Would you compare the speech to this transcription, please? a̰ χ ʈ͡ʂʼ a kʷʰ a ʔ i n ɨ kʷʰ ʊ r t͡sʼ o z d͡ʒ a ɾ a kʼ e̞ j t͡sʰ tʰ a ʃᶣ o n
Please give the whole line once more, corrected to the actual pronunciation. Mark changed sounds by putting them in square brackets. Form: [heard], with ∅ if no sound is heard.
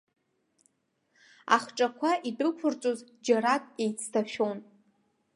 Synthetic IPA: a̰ χ ʈ͡ʂʼ a kʷʰ a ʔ i [d] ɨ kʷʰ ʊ r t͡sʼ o z d͡ʒ a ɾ a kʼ e̞ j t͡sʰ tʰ a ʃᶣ o n